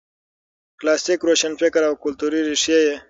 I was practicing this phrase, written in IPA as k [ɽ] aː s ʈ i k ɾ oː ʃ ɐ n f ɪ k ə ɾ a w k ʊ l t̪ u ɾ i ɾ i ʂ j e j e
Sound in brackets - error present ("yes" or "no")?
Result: yes